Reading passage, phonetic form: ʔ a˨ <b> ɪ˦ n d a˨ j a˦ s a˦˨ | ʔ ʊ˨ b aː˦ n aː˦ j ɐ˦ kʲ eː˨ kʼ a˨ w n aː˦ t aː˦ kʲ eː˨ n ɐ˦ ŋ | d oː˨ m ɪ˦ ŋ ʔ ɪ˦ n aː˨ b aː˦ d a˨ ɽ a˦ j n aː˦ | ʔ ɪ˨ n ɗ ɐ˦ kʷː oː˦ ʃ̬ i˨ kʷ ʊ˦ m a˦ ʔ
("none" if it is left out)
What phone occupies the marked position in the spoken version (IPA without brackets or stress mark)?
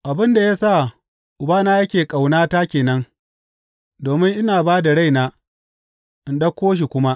b